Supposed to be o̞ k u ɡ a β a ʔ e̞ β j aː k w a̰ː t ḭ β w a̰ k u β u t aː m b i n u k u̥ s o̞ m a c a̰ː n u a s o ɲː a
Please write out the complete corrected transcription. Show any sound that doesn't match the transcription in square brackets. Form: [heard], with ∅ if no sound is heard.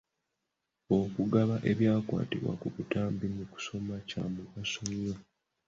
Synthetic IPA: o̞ k u ɡ a β a ʔ e̞ β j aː k w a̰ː t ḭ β w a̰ k u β u t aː m b i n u k u̥ s o̞ m a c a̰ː [m] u a s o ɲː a